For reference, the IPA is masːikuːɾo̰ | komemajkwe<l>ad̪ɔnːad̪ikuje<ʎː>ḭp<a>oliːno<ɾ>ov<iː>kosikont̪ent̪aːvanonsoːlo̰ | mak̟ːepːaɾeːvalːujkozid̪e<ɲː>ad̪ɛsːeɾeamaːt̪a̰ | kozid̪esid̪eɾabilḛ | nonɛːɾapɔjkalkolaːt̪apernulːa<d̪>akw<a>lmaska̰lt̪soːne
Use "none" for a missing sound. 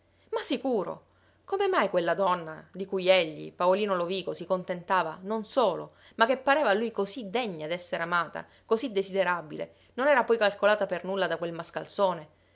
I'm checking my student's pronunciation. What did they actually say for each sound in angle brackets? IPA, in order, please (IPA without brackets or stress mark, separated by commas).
lː, ʎː, a, l, iː, ɲː, d̪, e